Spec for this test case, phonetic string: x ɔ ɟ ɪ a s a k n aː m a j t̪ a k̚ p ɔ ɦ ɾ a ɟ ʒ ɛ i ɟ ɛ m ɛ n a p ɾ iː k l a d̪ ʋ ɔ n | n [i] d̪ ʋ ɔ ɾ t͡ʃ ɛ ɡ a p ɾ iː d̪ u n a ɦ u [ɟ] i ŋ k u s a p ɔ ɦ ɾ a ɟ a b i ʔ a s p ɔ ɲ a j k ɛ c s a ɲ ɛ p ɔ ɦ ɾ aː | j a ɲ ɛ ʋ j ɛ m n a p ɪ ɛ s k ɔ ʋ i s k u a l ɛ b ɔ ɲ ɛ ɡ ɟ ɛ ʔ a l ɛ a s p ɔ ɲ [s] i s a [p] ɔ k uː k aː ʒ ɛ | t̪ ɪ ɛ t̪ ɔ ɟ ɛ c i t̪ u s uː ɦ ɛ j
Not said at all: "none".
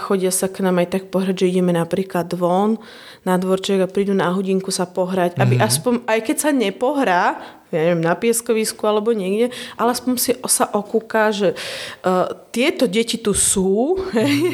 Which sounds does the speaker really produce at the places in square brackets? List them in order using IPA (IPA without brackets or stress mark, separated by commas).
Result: a, ɟ, s, ʔ